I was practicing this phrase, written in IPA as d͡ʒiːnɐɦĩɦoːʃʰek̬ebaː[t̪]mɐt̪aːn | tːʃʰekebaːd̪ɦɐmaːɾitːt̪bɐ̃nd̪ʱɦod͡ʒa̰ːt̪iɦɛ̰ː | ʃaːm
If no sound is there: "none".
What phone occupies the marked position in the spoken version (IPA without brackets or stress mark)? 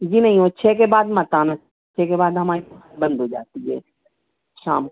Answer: d̪